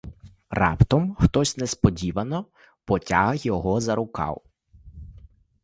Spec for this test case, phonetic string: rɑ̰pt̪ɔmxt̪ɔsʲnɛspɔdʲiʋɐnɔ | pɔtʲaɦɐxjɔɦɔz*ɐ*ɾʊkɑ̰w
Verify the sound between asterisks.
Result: correct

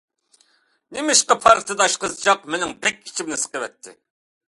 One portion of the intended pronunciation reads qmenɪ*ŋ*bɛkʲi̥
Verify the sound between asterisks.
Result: correct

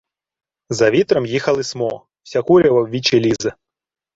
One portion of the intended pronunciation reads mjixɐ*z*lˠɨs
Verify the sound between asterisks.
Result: incorrect: none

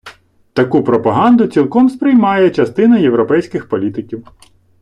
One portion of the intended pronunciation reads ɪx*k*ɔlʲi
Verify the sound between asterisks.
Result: incorrect: p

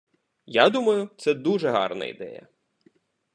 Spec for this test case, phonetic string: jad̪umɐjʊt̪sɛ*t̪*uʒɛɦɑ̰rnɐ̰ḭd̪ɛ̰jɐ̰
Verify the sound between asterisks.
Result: incorrect: d̪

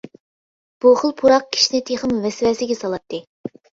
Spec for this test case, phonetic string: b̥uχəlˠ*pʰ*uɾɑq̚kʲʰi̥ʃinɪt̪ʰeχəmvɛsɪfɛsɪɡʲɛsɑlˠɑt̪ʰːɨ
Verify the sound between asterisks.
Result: correct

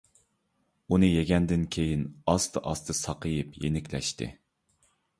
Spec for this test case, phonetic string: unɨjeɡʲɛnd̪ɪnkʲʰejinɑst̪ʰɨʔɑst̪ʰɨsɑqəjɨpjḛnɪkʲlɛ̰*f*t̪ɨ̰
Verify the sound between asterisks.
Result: incorrect: ʃ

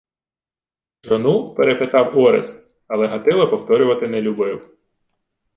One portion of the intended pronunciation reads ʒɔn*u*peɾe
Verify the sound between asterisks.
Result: correct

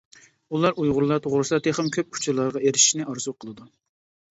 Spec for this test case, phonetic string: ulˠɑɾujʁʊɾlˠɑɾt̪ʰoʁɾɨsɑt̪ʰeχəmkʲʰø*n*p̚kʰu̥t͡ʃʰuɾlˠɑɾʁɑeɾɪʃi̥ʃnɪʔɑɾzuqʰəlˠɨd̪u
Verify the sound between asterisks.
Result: incorrect: none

